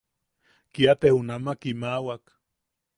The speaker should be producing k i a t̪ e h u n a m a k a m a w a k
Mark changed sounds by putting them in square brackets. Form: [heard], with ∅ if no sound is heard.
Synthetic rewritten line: k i a t̪ e h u n a m a k [i] m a w a k